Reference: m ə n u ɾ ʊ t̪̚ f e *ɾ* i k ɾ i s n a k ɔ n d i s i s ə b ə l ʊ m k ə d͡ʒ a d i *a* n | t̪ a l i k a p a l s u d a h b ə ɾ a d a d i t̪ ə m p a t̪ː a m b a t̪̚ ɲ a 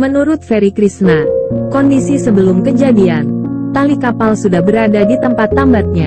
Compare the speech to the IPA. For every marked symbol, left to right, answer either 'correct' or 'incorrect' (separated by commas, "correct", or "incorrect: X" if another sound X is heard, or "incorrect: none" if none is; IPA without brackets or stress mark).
correct, correct